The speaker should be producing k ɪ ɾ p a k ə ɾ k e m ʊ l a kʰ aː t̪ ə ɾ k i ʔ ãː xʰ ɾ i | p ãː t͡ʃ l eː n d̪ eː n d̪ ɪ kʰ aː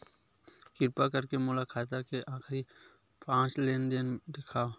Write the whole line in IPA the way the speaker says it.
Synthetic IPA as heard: k ɪ ɾ p a k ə ɾ k e m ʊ l a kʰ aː t̪ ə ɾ k e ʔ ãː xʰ ɾ i | p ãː t͡ʃ l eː n d̪ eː n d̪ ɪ kʰ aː